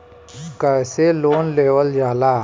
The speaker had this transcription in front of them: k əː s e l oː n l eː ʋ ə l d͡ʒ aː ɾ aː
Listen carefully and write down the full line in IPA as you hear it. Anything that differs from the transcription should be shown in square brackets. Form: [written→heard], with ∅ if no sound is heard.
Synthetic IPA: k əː s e l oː n l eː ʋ ə l d͡ʒ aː [ɾ→l] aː